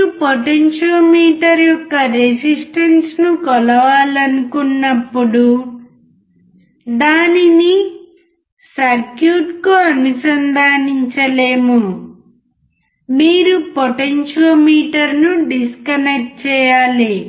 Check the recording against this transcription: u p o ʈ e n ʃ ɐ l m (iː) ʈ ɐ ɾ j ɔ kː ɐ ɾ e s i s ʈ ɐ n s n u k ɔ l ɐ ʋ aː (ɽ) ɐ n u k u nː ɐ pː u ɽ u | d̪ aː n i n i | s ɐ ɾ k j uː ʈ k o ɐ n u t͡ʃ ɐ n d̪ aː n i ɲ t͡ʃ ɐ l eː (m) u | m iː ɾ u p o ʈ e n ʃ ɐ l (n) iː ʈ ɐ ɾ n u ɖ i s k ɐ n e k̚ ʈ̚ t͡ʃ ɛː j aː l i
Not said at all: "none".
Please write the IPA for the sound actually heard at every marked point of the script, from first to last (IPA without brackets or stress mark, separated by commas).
iː, l, m, m